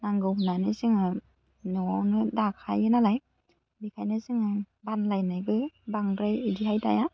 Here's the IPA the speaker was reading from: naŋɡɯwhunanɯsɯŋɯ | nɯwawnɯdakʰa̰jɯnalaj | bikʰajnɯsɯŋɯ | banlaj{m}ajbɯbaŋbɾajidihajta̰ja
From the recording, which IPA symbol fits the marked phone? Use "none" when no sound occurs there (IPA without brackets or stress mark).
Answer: n